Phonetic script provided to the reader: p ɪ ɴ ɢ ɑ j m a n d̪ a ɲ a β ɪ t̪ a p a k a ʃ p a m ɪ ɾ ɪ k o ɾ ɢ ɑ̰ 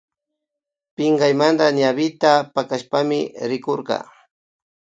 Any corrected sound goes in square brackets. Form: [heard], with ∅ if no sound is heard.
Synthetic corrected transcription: p ɪ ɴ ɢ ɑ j m a n d̪ a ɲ a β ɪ t̪ a p a k a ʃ p a m ɪ ɾ ɪ k o ɾ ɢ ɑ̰

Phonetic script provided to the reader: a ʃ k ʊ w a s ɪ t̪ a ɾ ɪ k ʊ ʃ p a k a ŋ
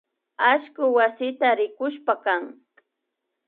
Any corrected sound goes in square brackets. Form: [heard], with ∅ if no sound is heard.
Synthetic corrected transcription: a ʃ k ʊ w a s ɪ t̪ a ɾ ɪ k ʊ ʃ p a k a ŋ

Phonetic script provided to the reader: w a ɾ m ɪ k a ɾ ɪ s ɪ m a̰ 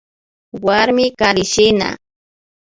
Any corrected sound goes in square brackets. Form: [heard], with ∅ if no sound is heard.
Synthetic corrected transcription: w a ɾ m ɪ k a ɾ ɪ [ʃ] ɪ [n] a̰

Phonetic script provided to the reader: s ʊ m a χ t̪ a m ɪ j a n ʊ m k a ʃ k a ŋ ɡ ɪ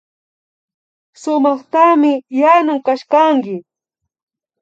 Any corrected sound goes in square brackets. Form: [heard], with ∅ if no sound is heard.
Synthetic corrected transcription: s ʊ m [ɑ] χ t̪ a m ɪ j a n ʊ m k a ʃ k a ŋ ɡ ɪ

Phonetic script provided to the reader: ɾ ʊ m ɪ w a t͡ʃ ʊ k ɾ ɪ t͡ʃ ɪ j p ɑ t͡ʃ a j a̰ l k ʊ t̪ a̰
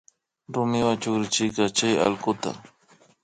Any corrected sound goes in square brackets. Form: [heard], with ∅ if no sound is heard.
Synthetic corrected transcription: ɾ ʊ m ɪ w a t͡ʃ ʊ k ɾ ɪ t͡ʃ ɪ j [k] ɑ t͡ʃ a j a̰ l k ʊ t̪ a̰

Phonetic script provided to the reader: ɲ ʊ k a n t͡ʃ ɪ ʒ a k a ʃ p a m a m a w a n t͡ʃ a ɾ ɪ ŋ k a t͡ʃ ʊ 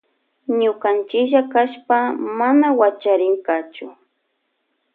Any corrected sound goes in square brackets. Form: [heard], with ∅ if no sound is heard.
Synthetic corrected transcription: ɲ ʊ k a n t͡ʃ ɪ ʒ a k a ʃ p a m a [n] a w a [∅] t͡ʃ a ɾ ɪ ŋ k a t͡ʃ ʊ

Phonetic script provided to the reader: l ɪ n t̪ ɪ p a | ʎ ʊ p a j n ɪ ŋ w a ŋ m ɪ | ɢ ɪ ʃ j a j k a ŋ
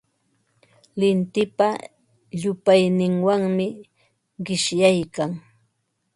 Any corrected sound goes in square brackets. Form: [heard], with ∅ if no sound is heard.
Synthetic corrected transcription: l ɪ n t̪ ɪ p a | ʎ ʊ p a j n ɪ ŋ w a ŋ m ɪ | ɢ ɪ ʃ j a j k a ŋ

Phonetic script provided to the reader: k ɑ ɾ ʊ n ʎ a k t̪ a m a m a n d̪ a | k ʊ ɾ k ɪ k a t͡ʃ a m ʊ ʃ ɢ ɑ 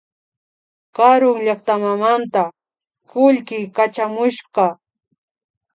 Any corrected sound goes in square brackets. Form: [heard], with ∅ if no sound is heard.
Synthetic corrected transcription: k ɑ ɾ ʊ [ŋ] ʎ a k t̪ a m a m a n [t̪] a | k ʊ [ʎ] k ɪ k a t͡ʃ a m ʊ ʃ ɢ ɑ

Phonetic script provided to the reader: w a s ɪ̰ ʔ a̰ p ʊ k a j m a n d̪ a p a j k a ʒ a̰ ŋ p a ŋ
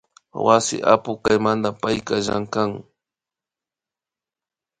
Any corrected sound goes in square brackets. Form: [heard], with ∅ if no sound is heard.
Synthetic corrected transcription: w a s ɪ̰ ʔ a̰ p ʊ k a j m a n d̪ a p a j k a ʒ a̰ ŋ [k] a ŋ

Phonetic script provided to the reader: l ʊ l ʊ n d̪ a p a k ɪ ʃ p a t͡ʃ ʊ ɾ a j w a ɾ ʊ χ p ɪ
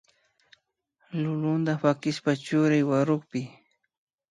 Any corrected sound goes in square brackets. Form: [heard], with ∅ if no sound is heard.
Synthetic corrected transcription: l ʊ l ʊ n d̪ a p a k ɪ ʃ p a t͡ʃ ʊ ɾ a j w a ɾ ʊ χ p ɪ

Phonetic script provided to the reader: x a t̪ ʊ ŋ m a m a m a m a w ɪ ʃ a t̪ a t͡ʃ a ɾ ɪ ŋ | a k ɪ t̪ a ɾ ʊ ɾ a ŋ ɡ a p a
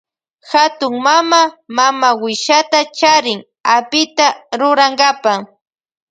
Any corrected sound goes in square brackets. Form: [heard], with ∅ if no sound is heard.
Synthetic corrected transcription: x a t̪ ʊ ŋ m a m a m a m a w ɪ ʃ a t̪ a t͡ʃ a ɾ ɪ ŋ | a [p] ɪ t̪ a ɾ ʊ ɾ a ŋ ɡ a p a

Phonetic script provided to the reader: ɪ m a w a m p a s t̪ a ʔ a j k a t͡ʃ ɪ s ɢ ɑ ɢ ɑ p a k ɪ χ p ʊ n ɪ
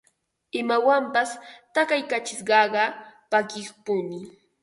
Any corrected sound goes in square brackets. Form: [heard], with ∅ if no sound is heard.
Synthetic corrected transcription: ɪ m a w a m p a s t̪ a [k] a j k a t͡ʃ ɪ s ɢ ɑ ɢ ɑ p a k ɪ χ p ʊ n ɪ

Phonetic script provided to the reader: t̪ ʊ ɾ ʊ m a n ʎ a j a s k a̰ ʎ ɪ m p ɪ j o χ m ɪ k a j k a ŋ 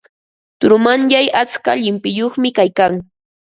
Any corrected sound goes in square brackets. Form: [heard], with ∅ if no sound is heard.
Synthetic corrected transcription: t̪ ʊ ɾ ʊ m a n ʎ a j a [t͡s] k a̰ ʎ ɪ m p ɪ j o χ m ɪ k a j k a ŋ

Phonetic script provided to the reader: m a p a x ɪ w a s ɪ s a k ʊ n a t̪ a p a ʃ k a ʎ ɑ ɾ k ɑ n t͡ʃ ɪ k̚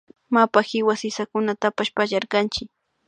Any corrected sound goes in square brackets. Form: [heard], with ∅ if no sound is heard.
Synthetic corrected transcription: m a p a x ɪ w a s ɪ s a k ʊ n a t̪ a p a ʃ [p] a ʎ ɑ ɾ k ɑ n t͡ʃ ɪ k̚

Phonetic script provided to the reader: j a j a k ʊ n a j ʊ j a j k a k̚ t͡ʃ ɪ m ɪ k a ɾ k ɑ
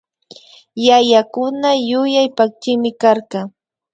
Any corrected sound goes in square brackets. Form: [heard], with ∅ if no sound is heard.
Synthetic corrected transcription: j a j a k ʊ n a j ʊ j a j [p] a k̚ t͡ʃ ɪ m ɪ k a ɾ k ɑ

